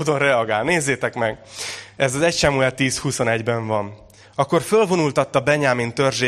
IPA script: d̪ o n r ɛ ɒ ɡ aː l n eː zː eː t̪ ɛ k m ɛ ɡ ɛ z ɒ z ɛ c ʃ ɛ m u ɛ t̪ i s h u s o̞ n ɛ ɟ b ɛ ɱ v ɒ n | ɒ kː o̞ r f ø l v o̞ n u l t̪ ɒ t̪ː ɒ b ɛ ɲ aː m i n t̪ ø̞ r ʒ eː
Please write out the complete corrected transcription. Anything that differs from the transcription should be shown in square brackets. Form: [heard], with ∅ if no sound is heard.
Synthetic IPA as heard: d̪ o n r ɛ ɒ ɡ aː l n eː zː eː t̪ ɛ k m ɛ ɡ ɛ z ɒ z ɛ c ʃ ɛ m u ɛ t̪ [iː] s h u s o̞ n ɛ ɟ b ɛ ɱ v ɒ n | ɒ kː o̞ r f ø l v o̞ n u l t̪ ɒ t̪ː ɒ b ɛ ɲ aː m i n t̪ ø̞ r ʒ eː